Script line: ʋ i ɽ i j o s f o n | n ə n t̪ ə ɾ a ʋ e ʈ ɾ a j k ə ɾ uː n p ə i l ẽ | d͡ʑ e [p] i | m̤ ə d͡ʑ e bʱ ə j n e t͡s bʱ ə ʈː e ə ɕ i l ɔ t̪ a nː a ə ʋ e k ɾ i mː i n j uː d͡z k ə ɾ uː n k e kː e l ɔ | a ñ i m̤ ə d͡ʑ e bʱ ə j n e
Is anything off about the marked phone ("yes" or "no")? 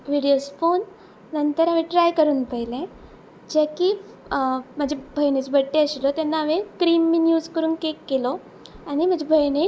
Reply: yes